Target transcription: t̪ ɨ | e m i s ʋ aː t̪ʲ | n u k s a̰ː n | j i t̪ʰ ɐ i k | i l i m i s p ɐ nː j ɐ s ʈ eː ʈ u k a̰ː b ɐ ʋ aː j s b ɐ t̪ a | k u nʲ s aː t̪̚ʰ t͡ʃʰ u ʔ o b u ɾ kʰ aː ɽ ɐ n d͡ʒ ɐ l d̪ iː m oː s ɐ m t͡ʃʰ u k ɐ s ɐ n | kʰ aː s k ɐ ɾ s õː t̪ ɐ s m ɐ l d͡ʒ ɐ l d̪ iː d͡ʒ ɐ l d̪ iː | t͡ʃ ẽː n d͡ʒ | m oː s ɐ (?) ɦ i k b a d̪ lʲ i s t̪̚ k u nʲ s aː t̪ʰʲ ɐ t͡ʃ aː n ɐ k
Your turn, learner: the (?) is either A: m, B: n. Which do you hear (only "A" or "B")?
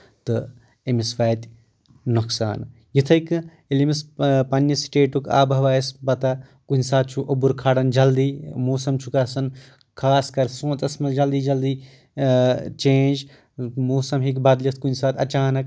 A